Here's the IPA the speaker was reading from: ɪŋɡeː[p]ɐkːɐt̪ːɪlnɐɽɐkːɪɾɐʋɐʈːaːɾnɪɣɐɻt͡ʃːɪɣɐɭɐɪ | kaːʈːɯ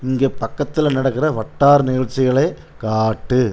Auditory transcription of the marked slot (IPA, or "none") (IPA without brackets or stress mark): p